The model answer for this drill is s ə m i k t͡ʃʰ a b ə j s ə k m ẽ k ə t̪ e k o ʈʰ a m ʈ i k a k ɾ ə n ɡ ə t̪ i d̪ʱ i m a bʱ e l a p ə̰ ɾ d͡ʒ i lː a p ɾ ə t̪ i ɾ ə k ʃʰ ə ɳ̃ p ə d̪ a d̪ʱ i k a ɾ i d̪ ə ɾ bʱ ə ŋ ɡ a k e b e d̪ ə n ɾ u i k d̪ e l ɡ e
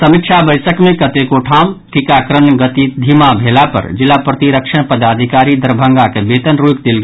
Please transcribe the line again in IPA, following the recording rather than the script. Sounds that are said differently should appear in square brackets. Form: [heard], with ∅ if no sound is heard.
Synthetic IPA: s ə m i k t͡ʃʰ a b ə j s ə k m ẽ k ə t̪ e k o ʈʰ a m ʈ i k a k ɾ ə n ɡ ə t̪ i d̪ʱ i m a bʱ e l a p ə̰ ɾ d͡ʒ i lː a p ɾ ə t̪ i ɾ ə k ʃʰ ə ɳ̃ p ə d̪ a d̪ʱ i k a ɾ i d̪ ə ɾ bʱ ə ŋ ɡ a k e b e [t̪] ə n ɾ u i k d̪ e l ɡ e